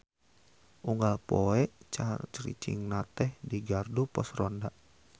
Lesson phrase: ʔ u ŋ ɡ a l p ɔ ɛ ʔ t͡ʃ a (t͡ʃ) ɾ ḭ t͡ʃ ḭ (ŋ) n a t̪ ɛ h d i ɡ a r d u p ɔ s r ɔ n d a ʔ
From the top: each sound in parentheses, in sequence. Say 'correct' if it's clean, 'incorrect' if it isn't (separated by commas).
correct, correct